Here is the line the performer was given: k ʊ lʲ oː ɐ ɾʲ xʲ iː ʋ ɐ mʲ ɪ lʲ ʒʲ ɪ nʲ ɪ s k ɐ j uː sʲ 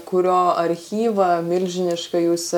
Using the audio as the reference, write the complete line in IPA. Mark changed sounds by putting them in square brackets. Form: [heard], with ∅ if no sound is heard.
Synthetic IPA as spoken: k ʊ [ɾʲ] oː ɐ ɾʲ xʲ iː ʋ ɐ mʲ ɪ lʲ ʒʲ ɪ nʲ ɪ [ʃ] k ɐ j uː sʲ